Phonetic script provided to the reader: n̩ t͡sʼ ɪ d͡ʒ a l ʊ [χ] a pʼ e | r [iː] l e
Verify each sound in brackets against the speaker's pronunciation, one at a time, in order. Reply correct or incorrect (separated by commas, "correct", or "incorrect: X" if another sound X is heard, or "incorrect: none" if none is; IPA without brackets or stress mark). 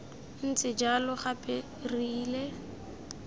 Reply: correct, correct